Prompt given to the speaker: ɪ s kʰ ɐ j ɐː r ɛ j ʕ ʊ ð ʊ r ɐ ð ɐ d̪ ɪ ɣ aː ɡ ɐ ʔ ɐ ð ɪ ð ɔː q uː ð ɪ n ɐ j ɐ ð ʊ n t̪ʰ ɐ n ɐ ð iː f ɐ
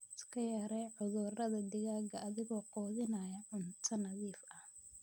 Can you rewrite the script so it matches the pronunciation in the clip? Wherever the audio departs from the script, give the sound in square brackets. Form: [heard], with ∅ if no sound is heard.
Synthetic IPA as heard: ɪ s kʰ ɐ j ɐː [ɾ] ɛ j ʕ ʊ ð ʊ r ɐ ð ɐ d̪ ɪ ɣ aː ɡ ɐ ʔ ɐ ð ɪ [ɣ] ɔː q [ɔː] ð ɪ n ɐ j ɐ [ʕ] ʊ n t̪ʰ ɐ n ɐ ð iː f ɐ

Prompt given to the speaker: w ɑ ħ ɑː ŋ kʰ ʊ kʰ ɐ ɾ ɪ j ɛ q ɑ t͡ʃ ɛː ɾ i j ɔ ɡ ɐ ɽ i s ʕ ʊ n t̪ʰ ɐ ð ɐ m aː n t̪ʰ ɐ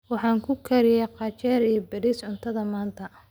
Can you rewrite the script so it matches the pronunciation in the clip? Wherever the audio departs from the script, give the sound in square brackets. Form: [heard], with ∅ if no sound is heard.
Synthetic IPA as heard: w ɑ ħ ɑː ŋ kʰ ʊ kʰ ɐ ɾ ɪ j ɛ q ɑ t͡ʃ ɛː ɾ i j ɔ [b] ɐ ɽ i s ʕ ʊ n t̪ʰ ɐ ð ɐ m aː n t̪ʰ ɐ

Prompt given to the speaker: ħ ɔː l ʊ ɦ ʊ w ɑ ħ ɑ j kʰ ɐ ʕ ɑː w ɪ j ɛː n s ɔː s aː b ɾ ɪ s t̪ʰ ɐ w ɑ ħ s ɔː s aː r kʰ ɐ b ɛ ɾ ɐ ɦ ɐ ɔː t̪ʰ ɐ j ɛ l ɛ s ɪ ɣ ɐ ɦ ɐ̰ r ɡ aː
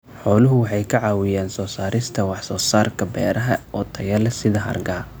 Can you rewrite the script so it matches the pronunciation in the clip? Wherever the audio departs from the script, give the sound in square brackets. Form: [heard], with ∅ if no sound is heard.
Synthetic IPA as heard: ħ ɔː l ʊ ɦ ʊ w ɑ ħ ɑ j kʰ ɐ ʕ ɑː w ɪ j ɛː n s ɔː s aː [∅] ɾ ɪ s t̪ʰ ɐ w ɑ ħ s ɔː s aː r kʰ ɐ b [ɛː] ɾ ɐ ɦ ɐ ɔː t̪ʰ ɐ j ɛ l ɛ s ɪ [ð] ɐ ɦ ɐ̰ r ɡ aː

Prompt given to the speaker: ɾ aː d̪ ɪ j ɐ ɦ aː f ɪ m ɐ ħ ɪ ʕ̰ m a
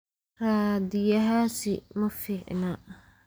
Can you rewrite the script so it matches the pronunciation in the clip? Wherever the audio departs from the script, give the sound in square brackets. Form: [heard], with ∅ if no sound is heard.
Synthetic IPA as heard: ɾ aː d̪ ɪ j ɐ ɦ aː [s] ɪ m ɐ [f] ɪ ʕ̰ [n] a

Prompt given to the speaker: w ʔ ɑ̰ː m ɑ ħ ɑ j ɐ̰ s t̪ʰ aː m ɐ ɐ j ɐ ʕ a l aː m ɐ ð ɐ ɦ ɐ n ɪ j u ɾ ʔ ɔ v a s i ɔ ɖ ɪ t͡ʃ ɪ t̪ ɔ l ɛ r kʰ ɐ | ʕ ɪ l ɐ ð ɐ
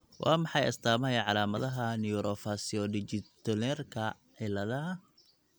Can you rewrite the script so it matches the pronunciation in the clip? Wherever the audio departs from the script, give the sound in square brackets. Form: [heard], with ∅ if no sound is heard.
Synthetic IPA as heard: w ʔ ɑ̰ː m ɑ ħ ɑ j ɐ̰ s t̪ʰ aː m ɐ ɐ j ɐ ʕ [ɑ] l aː m ɐ ð ɐ ɦ ɐ n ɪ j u ɾ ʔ ɔ [f] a s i ɔ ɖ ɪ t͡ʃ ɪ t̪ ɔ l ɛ r kʰ ɐ | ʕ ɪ l ɐ ð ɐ

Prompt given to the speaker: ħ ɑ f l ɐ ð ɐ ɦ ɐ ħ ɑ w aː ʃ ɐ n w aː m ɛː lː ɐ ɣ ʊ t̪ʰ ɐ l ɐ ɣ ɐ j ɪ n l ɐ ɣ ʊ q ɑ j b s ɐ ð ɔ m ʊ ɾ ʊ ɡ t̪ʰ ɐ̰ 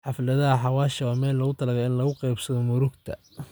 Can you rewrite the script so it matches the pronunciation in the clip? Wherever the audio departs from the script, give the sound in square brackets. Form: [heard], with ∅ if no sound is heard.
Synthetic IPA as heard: ħ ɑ f l ɐ ð ɐ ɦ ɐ ħ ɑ w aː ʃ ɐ [∅] w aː m ɛː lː ɐ ɣ ʊ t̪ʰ ɐ l ɐ ɣ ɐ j ɪ n l ɐ ɣ ʊ q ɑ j b s ɐ ð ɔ m ʊ ɾ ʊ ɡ t̪ʰ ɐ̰

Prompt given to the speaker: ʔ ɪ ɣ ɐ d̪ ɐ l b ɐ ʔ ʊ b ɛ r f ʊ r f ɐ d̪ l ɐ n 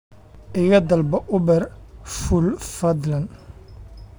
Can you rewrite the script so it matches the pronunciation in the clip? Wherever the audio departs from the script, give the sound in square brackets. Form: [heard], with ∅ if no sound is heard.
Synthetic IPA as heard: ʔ ɪ ɣ ɐ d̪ ɐ l b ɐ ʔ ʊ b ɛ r f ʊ [l] f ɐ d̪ l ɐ n

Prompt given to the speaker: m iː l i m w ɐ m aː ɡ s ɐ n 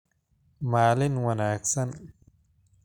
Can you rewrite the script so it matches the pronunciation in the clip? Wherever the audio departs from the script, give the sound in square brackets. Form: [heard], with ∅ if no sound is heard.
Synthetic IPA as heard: m [aː] l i [n] w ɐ [n] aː [k] s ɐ n

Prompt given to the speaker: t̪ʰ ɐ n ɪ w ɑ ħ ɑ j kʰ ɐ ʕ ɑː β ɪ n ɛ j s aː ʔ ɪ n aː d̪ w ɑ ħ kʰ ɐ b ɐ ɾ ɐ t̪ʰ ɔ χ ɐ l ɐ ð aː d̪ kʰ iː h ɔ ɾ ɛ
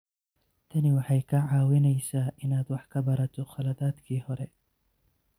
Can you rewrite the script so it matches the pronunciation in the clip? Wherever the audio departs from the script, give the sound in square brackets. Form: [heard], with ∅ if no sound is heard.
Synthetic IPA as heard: t̪ʰ ɐ n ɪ w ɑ ħ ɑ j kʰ ɐ ʕ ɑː [w] ɪ n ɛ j s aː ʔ ɪ n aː d̪ w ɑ ħ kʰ ɐ b ɐ ɾ ɐ t̪ʰ ɔ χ ɐ l ɐ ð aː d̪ kʰ iː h ɔ ɾ ɛ

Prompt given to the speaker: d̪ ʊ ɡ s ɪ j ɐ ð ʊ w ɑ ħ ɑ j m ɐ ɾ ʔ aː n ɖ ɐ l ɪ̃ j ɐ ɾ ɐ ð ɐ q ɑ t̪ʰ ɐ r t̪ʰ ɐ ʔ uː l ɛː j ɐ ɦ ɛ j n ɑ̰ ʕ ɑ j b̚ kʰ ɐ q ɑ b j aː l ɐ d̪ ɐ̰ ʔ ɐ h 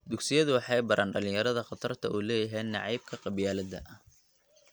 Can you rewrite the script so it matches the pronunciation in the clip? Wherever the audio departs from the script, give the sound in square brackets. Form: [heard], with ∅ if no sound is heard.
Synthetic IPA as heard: d̪ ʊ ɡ s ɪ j ɐ ð ʊ w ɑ ħ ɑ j [b] ɐ ɾ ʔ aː n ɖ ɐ l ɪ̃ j ɐ ɾ ɐ ð ɐ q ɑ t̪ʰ ɐ r t̪ʰ ɐ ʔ uː l ɛː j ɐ ɦ ɛ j n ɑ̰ ʕ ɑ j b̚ kʰ ɐ q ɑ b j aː l ɐ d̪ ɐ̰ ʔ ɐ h

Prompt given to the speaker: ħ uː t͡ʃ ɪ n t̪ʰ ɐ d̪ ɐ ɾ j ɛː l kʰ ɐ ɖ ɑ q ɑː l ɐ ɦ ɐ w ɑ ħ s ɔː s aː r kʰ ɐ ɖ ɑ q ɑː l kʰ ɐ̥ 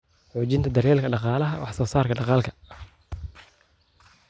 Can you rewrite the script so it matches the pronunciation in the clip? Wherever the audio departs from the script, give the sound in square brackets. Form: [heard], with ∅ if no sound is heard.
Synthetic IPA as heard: ħ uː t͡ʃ ɪ n t̪ʰ ɐ d̪ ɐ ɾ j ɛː l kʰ ɐ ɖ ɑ q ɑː l ɐ ɦ ɐ w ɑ ħ s ɔː s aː r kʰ ɐ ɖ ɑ q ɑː l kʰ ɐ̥

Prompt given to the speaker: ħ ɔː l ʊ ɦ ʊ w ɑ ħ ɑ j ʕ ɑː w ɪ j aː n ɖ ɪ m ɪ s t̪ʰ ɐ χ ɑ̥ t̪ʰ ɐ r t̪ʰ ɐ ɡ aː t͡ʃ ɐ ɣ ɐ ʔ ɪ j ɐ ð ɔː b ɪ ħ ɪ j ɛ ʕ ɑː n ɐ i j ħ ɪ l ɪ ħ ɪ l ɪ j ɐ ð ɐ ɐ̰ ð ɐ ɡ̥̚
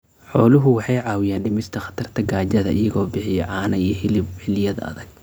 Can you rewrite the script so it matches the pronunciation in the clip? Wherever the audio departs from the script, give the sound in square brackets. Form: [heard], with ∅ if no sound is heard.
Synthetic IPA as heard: ħ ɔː l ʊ ɦ ʊ w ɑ ħ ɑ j ʕ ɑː w ɪ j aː n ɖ ɪ m ɪ s t̪ʰ ɐ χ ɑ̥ t̪ʰ ɐ r t̪ʰ ɐ ɡ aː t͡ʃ ɐ [ð] ɐ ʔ ɪ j ɐ [ɣ] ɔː b ɪ ħ ɪ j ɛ ʕ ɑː n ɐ i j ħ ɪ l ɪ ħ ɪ l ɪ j ɐ ð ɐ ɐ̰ ð ɐ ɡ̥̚

